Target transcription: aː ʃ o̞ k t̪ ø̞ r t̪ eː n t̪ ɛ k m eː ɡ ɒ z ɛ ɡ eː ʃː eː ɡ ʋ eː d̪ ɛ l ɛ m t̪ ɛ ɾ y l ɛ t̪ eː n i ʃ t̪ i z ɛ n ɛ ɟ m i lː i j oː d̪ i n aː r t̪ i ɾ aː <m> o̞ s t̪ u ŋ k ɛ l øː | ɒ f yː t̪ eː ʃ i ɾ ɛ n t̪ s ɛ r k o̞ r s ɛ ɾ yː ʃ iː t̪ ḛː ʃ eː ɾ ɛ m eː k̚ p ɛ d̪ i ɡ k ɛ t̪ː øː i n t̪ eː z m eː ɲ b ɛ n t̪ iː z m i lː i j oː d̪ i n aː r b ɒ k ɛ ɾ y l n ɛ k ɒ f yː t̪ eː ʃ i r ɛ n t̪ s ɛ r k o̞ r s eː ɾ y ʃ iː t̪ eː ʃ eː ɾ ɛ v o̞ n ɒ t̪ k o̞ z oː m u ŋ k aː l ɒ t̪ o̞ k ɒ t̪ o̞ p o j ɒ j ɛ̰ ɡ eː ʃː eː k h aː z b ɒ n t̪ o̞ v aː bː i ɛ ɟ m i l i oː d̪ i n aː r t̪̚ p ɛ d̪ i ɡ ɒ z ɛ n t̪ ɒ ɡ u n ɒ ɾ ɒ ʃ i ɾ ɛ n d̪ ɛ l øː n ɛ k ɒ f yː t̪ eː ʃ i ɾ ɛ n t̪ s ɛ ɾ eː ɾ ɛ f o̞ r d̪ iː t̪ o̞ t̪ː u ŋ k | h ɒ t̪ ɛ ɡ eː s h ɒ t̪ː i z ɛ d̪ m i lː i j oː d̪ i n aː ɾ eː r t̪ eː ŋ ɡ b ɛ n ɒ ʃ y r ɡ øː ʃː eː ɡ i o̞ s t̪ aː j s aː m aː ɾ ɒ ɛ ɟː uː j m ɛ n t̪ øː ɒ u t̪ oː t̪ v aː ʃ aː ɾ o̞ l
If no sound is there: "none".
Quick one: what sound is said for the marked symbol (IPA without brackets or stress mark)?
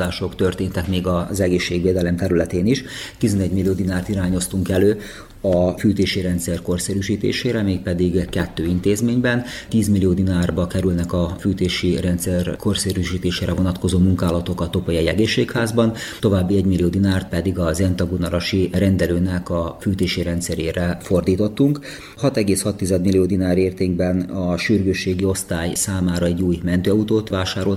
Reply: ɲ